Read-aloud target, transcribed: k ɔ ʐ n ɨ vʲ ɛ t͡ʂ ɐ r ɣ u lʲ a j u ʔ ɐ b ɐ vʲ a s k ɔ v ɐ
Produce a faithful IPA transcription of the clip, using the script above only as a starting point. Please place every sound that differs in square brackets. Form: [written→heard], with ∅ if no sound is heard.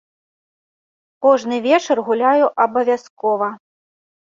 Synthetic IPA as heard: k ɔ ʐ n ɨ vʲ ɛ t͡ʂ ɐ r ɣ u lʲ a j u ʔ ɐ b ɐ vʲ a s k ɔ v ɐ